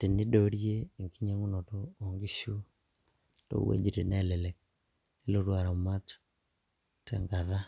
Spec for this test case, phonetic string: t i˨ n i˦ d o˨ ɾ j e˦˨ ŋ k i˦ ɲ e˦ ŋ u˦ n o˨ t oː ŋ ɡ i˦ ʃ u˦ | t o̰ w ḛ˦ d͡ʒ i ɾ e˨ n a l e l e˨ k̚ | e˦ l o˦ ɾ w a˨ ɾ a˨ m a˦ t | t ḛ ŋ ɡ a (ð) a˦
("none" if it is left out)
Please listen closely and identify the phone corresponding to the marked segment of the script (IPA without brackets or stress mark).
ð